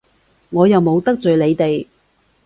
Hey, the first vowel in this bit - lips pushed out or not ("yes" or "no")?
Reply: yes